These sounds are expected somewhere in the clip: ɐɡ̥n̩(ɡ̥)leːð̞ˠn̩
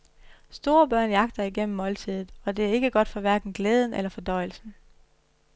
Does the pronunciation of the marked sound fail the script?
no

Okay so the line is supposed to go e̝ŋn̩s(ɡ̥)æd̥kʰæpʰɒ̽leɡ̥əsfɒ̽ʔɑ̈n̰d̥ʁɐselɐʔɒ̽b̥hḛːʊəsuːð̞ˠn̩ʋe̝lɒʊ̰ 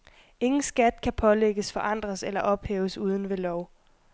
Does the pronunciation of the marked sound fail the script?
no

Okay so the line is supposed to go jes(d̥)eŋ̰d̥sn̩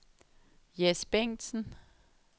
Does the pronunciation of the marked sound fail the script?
yes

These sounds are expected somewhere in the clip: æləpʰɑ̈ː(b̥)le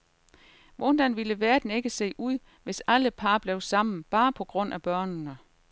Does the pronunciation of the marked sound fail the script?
no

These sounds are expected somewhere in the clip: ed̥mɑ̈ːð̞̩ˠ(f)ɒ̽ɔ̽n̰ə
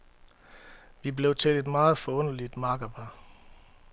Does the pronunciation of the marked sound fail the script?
no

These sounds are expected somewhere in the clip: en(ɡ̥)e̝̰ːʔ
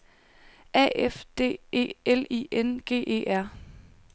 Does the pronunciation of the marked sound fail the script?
no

